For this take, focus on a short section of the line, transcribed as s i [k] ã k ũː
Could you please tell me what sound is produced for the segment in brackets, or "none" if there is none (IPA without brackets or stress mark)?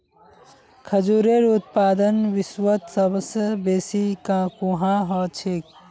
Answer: k